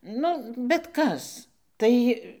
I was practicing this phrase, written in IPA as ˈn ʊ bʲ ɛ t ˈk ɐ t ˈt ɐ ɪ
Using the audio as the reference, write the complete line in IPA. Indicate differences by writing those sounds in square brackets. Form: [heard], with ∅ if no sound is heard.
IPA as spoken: ˈn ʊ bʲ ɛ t ˈk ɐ [s] ˈt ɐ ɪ